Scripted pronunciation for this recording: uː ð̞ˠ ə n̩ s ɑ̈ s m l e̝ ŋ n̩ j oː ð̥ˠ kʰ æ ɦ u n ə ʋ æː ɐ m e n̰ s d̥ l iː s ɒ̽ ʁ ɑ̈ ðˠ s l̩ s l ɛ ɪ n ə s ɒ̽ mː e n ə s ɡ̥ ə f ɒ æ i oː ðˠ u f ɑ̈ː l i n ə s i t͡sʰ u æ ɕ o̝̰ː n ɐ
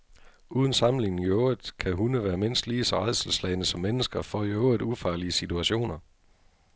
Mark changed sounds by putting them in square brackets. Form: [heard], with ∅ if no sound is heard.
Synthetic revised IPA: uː ð̞ˠ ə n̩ s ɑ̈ [∅] m l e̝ ŋ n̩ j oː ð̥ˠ kʰ æ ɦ u n ə ʋ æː ɐ m e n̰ s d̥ l iː s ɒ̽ ʁ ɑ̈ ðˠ s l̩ s l ɛ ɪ n ə s ɒ̽ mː e n ə s ɡ̥ [ɐ] f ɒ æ [j] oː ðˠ u f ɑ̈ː l i [∅] ə s i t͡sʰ u æ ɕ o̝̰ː n ɐ